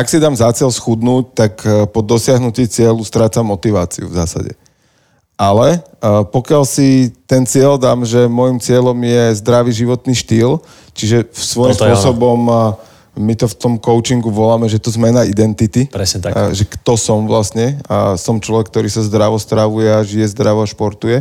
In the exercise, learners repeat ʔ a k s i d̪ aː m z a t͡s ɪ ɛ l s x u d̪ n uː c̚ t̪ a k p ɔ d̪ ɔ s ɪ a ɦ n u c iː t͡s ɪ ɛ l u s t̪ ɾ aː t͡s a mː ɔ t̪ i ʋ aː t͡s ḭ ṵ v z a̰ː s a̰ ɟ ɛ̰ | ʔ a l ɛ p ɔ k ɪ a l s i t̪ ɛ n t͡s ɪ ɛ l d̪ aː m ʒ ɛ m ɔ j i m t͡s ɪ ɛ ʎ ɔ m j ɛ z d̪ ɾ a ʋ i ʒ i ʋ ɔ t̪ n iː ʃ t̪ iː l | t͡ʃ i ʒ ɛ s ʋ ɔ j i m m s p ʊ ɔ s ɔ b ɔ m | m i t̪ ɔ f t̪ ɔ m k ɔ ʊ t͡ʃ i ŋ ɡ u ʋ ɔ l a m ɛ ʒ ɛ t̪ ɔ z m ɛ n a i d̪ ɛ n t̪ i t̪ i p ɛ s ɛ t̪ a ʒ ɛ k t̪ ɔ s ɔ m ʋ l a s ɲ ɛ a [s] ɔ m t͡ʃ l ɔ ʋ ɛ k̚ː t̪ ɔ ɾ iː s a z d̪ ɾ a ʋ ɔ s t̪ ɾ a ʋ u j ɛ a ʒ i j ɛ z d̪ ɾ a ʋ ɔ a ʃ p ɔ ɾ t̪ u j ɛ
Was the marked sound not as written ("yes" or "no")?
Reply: no